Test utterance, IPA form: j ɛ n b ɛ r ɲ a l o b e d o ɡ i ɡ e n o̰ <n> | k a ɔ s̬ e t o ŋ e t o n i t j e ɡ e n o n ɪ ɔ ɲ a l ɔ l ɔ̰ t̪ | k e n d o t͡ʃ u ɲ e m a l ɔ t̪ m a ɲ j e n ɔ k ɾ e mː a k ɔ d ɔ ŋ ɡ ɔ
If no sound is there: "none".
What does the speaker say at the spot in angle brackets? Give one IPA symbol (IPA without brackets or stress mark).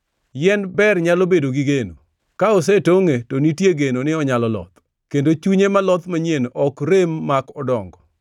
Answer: none